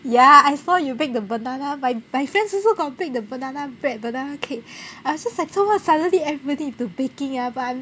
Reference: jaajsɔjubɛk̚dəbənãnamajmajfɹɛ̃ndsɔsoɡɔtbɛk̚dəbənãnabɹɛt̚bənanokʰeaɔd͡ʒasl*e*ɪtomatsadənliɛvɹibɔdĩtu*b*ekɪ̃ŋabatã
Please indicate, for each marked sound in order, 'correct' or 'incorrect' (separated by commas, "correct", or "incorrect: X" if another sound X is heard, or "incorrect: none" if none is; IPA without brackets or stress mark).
incorrect: a, correct